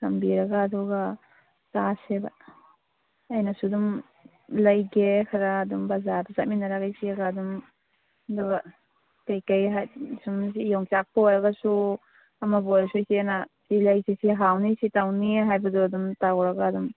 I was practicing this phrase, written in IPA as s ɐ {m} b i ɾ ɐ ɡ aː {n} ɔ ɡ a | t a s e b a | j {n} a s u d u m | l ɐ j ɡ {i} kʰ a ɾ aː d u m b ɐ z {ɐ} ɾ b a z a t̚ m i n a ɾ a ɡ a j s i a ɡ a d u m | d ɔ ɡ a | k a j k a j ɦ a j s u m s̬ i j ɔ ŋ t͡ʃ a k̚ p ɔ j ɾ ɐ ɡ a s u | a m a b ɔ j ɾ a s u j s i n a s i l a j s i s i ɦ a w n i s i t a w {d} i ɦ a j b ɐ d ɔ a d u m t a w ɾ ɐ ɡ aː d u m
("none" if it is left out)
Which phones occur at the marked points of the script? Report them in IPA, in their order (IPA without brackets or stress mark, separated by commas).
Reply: m, d, n, e, a, n